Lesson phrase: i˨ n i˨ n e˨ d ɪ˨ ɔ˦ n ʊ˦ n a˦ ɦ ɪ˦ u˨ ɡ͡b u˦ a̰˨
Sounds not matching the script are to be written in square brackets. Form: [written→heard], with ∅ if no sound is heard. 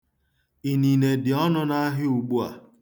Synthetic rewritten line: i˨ n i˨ n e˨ d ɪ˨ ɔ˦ n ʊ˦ n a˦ ɦ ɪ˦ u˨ ɡ͡b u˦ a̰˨